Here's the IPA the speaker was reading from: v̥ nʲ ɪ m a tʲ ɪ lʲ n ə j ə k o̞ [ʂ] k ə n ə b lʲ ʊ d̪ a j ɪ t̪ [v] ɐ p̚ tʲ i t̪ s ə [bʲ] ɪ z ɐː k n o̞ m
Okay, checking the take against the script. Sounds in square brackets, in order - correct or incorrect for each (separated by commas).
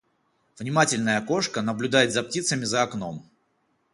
correct, incorrect, incorrect